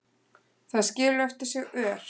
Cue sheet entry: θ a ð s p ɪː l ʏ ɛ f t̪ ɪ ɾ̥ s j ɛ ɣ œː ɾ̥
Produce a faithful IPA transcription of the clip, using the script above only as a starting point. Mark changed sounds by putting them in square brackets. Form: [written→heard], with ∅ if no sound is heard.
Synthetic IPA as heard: θ a ð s [p→c] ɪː l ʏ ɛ f t̪ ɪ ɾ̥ s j ɛ ɣ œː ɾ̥